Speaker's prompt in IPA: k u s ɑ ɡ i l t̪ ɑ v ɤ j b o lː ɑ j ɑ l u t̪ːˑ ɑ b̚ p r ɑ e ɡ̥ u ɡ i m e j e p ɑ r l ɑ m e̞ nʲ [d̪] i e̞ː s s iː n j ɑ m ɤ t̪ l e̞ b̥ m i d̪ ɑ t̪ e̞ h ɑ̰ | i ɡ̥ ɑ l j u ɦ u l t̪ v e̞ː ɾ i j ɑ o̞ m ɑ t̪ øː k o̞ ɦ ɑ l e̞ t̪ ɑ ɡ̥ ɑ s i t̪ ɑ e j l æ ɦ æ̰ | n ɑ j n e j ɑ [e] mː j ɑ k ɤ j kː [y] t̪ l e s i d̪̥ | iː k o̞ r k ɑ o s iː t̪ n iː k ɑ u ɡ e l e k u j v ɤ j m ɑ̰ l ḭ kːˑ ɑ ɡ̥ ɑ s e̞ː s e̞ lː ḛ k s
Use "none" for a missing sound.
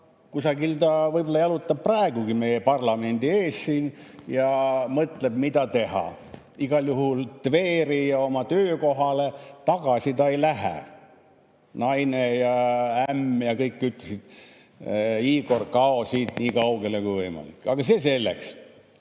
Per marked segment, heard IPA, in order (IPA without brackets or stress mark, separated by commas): d̪, æ, y